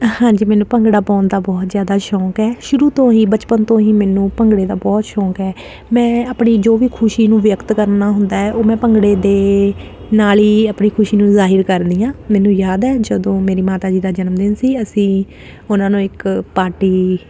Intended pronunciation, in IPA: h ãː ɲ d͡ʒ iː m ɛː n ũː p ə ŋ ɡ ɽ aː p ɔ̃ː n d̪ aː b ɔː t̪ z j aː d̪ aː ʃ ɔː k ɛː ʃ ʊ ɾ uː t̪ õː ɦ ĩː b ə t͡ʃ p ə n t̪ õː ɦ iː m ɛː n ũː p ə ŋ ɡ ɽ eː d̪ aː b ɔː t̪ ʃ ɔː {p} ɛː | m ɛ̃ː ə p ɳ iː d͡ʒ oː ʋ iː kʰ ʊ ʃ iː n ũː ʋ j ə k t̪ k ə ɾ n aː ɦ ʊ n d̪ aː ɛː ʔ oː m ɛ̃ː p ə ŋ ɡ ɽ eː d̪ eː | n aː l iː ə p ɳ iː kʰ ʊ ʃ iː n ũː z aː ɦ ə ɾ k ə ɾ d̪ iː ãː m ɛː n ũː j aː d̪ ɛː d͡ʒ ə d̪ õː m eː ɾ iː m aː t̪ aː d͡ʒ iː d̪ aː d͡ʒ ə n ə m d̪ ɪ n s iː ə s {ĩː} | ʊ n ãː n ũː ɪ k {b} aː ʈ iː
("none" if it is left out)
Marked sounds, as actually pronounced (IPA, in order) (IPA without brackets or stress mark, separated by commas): k, ĩː, p